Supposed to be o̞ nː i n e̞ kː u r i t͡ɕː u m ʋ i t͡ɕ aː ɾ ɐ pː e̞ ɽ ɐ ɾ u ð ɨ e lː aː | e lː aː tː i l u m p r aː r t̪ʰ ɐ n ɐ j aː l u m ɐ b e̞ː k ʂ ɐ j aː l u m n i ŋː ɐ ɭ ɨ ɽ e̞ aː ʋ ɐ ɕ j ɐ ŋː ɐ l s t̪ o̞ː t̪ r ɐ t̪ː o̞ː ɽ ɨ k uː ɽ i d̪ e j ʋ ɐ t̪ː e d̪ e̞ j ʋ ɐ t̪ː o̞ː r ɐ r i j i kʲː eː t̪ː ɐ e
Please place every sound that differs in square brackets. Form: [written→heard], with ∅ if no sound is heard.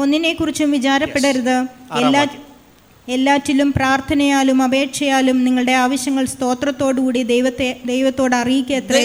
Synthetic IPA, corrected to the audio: o̞ nː i n e̞ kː u r i t͡ɕː u m ʋ i t͡ɕ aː ɾ ɐ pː e̞ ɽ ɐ ɾ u ð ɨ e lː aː | e lː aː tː i l u m p r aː r t̪ʰ ɐ n ɐ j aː l u m ɐ b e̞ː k ʂ ɐ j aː l u m n i ŋː ɐ ɭ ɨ ɽ e̞ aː ʋ ɐ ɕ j ɐ ŋː ɐ [l→ɭ] s t̪ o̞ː t̪ r ɐ t̪ː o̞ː ɽ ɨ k uː ɽ i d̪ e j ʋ ɐ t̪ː e d̪ e̞ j ʋ ɐ t̪ː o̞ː [r→ɽ] ɐ r i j i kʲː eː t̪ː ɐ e